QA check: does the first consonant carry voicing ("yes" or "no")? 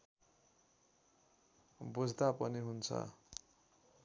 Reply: yes